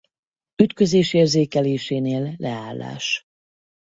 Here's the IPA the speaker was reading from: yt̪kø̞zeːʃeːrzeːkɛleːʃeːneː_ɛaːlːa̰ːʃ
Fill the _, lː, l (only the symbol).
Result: lː